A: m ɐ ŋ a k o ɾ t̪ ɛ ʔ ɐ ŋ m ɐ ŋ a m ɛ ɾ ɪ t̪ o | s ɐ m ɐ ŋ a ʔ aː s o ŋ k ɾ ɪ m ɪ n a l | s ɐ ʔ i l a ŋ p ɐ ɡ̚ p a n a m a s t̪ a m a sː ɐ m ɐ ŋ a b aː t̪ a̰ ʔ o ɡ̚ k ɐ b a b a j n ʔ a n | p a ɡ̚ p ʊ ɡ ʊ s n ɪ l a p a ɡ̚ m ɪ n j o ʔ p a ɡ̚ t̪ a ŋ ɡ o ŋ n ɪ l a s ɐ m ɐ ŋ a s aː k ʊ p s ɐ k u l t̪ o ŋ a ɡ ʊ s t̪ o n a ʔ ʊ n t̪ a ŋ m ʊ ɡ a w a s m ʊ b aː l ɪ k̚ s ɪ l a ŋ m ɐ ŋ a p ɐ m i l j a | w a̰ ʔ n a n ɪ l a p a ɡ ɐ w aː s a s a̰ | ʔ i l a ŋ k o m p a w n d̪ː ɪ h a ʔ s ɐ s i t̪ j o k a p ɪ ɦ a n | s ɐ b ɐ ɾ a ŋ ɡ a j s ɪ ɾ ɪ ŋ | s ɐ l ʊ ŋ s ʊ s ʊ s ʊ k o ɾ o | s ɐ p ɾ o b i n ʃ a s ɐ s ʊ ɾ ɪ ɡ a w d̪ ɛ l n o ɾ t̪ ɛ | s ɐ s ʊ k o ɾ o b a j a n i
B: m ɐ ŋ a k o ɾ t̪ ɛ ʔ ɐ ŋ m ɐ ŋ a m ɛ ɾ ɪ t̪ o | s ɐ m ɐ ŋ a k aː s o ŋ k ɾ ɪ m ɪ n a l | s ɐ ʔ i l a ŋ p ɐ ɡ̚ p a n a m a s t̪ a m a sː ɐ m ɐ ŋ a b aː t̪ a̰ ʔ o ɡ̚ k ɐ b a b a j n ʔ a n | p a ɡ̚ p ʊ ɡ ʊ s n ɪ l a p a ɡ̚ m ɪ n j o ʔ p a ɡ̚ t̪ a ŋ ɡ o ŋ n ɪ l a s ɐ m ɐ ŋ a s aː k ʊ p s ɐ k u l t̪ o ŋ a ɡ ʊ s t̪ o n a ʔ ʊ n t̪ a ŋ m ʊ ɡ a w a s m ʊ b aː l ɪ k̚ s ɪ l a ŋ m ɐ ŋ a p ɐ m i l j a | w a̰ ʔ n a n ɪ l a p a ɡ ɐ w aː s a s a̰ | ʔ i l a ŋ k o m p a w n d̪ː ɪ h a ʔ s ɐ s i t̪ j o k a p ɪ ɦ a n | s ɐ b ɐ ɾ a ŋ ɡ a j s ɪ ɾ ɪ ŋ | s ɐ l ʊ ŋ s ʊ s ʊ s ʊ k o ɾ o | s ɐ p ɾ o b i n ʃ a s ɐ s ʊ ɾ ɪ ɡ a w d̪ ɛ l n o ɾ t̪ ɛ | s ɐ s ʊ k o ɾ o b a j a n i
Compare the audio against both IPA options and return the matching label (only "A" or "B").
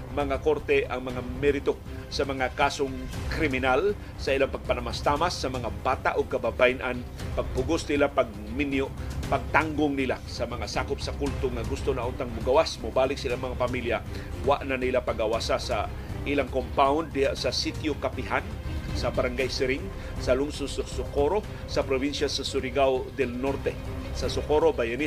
B